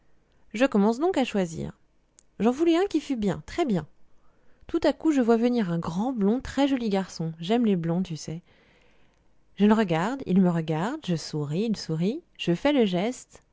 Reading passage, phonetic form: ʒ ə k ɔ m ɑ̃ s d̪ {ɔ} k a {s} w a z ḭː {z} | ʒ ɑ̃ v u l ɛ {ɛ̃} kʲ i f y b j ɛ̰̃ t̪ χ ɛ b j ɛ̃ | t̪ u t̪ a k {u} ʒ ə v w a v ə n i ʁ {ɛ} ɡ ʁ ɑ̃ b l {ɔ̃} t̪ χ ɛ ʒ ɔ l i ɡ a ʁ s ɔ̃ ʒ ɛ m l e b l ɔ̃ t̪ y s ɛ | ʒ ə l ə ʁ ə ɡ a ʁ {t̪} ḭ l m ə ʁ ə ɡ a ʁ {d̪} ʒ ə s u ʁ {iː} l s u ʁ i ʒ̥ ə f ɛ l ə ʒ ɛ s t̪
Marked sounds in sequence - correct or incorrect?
incorrect: ɔ̃, incorrect: ʃ, incorrect: ʁ, correct, correct, incorrect: ɛ̃, correct, incorrect: d̪, correct, correct

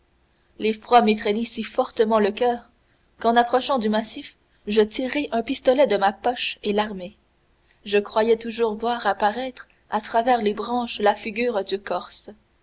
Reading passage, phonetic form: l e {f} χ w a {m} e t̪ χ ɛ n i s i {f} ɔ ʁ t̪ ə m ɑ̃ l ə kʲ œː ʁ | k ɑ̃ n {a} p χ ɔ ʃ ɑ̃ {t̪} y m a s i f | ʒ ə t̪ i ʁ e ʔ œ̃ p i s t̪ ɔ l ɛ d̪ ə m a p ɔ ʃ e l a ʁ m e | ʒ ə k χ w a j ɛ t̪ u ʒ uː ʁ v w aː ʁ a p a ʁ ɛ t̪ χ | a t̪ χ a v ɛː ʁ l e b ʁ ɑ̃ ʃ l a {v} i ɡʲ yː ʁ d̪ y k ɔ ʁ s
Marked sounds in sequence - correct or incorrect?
correct, correct, correct, correct, incorrect: d̪, incorrect: f

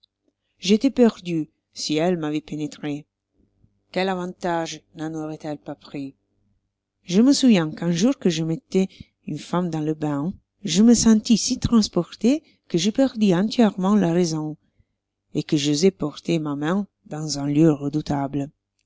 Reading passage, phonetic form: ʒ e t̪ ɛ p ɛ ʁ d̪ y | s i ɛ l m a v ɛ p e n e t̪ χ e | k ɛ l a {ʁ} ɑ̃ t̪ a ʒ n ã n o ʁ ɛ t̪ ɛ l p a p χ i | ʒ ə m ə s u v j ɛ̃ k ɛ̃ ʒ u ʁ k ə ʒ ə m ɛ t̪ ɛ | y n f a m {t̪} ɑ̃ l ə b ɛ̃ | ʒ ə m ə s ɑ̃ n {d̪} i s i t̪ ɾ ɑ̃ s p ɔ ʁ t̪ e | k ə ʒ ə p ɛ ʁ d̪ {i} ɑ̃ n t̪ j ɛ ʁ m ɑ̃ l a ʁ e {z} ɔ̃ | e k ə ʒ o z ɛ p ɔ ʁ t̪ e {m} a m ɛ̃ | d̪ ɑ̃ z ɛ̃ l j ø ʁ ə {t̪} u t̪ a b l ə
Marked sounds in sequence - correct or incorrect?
incorrect: v, incorrect: d̪, incorrect: t̪, correct, correct, correct, incorrect: d̪

